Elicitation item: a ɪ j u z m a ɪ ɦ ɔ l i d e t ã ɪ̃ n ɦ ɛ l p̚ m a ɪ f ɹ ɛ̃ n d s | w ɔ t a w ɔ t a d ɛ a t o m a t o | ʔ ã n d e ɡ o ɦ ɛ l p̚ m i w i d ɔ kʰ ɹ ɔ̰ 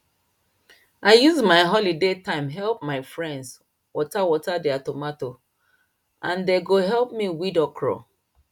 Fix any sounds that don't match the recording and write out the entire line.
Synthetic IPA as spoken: a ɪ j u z m a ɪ ɦ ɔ l i d e t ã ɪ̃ m ɦ ɛ l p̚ m a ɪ f ɹ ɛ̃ n d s | w ɔ t a w ɔ t a d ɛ a t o m a t o | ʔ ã n d e ɡ o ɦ ɛ l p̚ m i w i d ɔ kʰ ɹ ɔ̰

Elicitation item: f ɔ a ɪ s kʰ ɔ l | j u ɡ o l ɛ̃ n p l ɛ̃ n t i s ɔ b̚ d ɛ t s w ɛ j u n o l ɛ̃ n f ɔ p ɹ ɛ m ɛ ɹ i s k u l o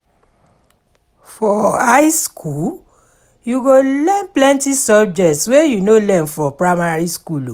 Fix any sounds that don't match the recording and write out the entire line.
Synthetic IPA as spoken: f ɔ a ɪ s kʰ u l | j u ɡ o l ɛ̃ n p l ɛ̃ n t i s ɔ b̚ d͡ʒ ɛ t s w e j u n o l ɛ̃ n f ɔ p ɹ a m a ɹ i s k u l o

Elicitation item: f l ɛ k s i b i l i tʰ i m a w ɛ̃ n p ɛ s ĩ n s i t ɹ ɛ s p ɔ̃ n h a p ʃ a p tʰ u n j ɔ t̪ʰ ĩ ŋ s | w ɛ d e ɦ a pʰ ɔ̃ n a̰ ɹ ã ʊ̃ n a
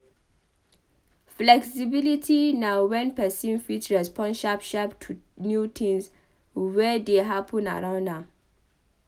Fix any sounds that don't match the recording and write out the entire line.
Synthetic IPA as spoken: f l ɛ k s i b i l i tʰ i n a w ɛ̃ n p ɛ s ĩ n f i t ɹ ɛ s p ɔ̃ n ʃ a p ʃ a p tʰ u n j u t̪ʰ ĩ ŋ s | w ɛ d e ɦ a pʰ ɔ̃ n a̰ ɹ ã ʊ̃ n a

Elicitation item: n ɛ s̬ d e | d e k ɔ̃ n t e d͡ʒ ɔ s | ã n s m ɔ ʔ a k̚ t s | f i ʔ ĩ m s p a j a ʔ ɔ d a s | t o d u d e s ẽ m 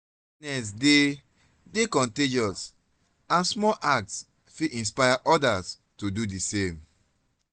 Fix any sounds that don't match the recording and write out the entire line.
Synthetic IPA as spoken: n ɛ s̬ d e | d e k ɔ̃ n t e d͡ʒ ɔ s | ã n s m ɔ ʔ a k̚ t s | f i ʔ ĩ n s p a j a ʔ ɔ d a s | t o d u d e s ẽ m

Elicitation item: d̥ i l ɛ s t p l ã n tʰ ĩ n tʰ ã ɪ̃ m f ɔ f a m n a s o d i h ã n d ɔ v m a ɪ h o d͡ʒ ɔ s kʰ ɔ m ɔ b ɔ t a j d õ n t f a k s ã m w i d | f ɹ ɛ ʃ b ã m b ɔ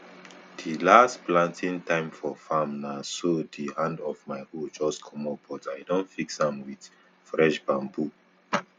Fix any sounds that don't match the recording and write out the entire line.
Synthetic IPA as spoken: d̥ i l a s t p l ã n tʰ ĩ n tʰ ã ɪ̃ m f ɔ f a m n a s o d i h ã n d ɔ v m a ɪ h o d͡ʒ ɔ s kʰ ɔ m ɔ b ɔ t a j d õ n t f i k s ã m w i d | f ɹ ɛ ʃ b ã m b u

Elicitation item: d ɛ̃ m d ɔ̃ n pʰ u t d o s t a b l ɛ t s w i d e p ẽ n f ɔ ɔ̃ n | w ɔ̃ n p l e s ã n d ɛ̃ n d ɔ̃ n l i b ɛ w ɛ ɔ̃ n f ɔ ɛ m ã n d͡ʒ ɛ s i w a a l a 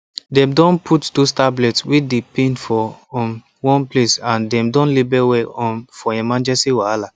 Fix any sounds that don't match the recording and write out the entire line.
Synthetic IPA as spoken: d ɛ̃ m d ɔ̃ n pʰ u t d o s t a b l ɛ t s w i d e p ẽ n f ɔ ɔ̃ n | w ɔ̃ n p l e s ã n d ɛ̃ m d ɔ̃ n l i b ɛ w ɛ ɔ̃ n f ɔ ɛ m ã n d͡ʒ ɛ s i w a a l a

